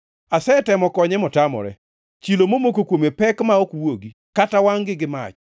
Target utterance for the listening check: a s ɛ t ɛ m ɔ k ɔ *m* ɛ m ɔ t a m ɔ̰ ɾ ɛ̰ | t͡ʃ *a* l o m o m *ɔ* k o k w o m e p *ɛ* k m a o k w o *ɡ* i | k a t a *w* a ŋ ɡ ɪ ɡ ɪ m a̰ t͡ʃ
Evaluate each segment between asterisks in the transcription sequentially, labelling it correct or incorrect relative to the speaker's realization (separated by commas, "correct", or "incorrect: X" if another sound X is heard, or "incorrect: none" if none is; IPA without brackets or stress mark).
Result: incorrect: ɲ, incorrect: i, incorrect: o, correct, correct, correct